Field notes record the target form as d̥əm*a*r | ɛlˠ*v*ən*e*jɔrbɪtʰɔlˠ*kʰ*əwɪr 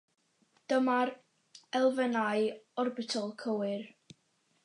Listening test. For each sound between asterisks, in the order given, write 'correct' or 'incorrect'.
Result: correct, correct, incorrect: a, correct

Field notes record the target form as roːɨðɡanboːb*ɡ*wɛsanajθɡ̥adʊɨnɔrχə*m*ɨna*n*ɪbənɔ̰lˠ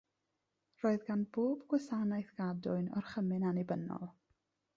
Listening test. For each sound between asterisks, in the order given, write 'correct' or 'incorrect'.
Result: correct, correct, correct

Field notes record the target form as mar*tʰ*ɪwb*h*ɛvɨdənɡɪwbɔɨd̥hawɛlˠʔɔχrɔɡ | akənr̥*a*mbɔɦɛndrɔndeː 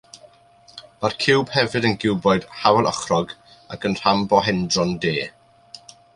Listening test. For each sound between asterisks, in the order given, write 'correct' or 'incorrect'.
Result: incorrect: kʰ, correct, correct

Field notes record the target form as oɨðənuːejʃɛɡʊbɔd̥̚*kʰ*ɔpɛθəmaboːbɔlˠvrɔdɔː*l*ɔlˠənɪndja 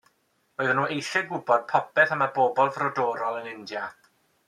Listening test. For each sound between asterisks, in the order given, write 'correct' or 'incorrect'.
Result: incorrect: pʰ, incorrect: ɾ

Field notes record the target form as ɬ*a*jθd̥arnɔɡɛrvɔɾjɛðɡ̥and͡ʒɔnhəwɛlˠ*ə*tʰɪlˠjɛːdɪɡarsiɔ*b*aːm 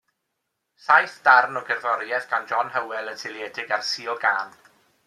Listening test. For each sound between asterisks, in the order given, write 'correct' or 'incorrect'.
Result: correct, correct, incorrect: ɡ

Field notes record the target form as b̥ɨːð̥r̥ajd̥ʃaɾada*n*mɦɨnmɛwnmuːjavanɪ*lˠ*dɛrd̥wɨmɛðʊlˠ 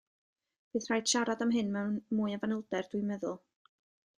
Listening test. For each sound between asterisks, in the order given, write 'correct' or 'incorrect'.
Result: incorrect: none, correct

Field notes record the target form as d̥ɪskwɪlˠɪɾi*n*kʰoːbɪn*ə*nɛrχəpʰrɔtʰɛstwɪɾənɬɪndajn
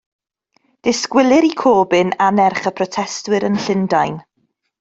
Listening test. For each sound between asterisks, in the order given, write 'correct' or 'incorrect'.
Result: incorrect: none, incorrect: a

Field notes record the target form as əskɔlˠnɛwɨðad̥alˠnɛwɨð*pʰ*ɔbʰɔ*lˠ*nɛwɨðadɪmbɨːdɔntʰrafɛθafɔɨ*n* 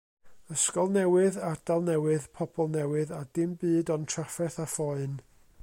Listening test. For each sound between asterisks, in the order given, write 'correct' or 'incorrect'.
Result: correct, correct, correct

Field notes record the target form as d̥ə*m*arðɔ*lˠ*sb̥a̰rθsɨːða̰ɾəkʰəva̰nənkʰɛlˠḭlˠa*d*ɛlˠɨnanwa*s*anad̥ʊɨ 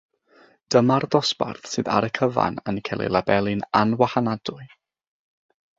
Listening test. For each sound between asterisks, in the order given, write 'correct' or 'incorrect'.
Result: correct, incorrect: none, incorrect: b, incorrect: h

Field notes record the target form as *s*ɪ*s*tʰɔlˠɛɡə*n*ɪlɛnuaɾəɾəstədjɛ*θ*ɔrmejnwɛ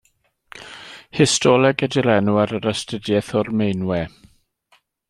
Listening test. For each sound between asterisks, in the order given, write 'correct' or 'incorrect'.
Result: incorrect: h, correct, incorrect: d, correct

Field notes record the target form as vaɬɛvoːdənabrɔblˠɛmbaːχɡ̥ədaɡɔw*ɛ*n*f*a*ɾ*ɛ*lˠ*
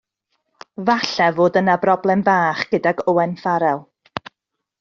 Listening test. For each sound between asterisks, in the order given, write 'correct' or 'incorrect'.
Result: correct, correct, correct, correct

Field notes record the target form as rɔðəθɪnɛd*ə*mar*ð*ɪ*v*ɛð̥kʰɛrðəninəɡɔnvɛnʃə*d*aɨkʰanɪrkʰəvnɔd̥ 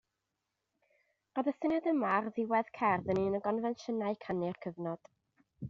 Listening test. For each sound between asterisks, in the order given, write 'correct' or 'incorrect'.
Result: correct, correct, incorrect: w, incorrect: n

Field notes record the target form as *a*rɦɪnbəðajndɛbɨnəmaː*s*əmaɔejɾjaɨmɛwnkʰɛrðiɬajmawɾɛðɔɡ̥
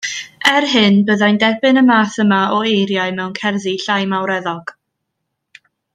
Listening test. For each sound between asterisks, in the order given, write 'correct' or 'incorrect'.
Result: incorrect: ɛ, incorrect: θ

